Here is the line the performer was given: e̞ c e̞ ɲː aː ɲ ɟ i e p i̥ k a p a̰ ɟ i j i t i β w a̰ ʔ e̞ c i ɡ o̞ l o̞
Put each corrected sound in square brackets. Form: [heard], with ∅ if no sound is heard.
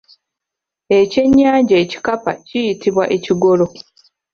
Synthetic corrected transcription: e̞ c e̞ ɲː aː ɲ ɟ [a] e [c] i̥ k a p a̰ [c] i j i t i β w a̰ ʔ e̞ c i ɡ o̞ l o̞